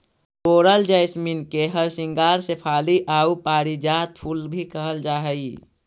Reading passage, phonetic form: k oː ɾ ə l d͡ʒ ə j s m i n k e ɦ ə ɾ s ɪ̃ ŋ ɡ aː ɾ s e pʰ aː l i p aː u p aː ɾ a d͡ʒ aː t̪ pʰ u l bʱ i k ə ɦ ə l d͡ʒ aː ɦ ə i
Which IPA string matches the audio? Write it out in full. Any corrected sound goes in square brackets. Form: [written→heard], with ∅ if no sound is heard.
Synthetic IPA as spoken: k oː ɾ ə l d͡ʒ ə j s m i n k e ɦ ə ɾ s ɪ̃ ŋ ɡ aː ɾ s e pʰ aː l i [p→ʔ] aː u p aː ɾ [a→i] d͡ʒ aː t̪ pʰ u l bʱ i k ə ɦ ə l d͡ʒ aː ɦ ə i